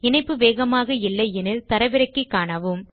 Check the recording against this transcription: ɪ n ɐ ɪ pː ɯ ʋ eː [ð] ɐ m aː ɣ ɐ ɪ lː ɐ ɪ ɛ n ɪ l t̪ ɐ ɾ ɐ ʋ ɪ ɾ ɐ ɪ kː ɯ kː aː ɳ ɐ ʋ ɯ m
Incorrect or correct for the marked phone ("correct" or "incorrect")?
incorrect